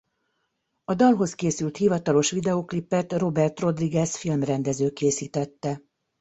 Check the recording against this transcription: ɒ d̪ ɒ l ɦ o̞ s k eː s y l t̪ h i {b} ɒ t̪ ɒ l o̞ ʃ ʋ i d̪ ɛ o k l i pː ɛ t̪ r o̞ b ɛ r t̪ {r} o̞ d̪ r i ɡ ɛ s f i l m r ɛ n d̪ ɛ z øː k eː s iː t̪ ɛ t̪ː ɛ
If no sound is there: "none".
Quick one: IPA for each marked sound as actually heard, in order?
v, r

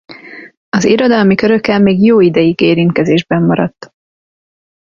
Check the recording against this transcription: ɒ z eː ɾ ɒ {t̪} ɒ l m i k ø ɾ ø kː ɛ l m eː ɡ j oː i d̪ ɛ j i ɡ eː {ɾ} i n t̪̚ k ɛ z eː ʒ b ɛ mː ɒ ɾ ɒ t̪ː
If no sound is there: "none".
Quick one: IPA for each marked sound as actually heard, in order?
d̪, ɾ

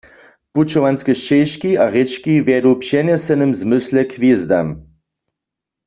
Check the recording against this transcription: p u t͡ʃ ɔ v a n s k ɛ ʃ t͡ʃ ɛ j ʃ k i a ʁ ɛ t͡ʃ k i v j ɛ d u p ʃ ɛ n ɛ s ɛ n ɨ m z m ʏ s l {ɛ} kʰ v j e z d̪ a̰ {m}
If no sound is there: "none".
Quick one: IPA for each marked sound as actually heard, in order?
ɛ, m

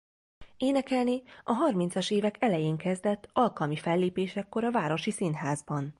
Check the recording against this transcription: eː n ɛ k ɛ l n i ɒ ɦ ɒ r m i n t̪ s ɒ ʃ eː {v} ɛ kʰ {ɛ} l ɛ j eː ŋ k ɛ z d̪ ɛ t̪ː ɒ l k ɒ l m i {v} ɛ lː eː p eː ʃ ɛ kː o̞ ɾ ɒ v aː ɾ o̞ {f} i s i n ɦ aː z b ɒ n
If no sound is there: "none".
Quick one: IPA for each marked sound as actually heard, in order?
v, ɛ, f, ʃ

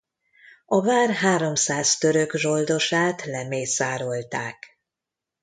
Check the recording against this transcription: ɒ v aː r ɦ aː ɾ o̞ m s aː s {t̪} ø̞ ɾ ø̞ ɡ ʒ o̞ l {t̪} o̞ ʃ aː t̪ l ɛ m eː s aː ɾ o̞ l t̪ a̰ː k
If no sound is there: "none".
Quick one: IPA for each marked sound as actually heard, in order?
t̪, d̪

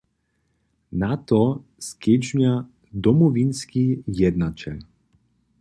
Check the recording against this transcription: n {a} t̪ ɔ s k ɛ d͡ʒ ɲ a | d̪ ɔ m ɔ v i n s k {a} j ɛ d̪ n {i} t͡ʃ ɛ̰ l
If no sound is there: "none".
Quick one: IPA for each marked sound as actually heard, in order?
a, i, a

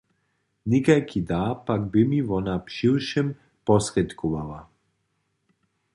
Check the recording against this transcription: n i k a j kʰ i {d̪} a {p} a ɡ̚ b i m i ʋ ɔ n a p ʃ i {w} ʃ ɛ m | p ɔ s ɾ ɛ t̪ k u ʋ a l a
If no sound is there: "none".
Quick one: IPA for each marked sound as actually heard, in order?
d̪, p, w

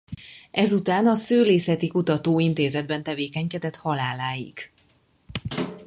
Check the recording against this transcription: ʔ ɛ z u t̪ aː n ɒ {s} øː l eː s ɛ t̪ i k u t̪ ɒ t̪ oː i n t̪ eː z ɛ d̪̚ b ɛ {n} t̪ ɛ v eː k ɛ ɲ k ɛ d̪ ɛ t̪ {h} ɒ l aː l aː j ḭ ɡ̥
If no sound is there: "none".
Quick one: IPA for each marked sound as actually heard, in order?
s, n, h

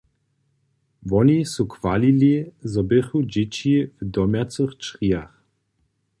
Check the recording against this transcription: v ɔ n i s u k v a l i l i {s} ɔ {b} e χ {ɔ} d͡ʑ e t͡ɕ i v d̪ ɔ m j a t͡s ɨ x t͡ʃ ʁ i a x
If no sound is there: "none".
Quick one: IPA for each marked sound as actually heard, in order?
z, b, u

